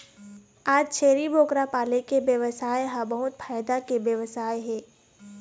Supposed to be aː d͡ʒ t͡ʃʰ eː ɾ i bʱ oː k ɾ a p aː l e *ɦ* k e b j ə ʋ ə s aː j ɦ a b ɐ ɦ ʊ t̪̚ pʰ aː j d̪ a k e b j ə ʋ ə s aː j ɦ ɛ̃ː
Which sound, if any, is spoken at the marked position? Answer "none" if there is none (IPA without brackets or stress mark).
none